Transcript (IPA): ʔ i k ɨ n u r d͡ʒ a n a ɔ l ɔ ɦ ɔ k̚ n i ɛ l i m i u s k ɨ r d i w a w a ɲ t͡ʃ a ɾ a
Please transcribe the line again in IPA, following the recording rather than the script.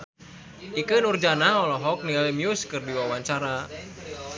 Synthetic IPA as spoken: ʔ i k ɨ n u r d͡ʒ a n a ɔ l ɔ ɦ ɔ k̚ n i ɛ l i m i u s k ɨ r d i w a w a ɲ t͡ʃ a ɾ a